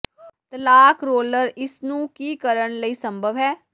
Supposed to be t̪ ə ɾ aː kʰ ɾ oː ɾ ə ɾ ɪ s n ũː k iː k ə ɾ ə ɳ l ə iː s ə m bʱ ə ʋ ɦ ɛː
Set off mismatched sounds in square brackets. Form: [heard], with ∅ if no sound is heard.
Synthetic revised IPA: t̪ ə [l] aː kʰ ɾ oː [l] ə ɾ ɪ s n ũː k iː k ə ɾ ə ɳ l ə iː s ə m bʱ ə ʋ ɦ ɛː